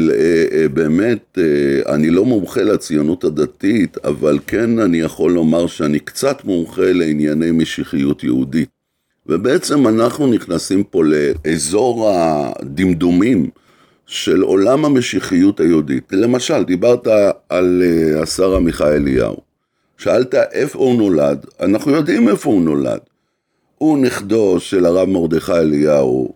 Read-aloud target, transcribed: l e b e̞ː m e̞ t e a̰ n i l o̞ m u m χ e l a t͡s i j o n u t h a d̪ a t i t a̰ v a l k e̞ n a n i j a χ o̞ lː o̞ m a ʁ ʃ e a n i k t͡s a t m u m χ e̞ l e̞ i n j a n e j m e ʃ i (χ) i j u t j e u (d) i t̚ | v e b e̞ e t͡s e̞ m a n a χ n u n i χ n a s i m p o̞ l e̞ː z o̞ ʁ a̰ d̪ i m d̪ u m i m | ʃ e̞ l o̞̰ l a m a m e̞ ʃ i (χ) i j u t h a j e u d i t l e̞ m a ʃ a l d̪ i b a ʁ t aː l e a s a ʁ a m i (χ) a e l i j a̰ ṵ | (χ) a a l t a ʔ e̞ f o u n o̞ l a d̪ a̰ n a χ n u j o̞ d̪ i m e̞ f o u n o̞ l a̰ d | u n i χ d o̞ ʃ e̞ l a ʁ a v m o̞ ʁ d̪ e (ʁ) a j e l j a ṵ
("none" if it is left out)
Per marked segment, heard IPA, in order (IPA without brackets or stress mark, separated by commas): χ, d, χ, χ, ʃ, χ